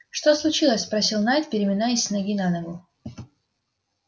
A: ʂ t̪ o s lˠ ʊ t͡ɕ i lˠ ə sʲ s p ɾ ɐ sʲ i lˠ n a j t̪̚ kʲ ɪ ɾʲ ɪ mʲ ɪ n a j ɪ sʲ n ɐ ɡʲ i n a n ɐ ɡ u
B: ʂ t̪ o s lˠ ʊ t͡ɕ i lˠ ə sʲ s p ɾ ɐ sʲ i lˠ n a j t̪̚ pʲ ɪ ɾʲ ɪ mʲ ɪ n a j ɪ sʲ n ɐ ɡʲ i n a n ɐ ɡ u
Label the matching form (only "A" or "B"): B